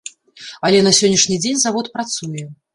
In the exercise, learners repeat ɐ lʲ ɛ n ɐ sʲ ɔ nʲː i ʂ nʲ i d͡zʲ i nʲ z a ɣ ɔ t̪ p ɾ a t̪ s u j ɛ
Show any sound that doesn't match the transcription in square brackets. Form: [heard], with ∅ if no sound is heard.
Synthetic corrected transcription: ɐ lʲ ɛ n ɐ sʲ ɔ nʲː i ʂ nʲ i d͡zʲ [e] nʲ z a [v] ɔ t̪ p ɾ a t̪ s u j ɛ